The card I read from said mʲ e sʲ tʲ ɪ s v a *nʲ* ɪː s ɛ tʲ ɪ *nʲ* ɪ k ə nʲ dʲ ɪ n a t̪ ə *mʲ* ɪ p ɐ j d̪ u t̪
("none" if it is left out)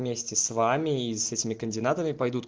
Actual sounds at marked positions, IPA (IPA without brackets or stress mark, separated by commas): mʲ, mʲ, mʲ